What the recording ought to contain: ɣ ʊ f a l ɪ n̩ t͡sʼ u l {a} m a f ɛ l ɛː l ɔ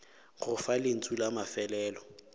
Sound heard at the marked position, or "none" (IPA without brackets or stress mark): a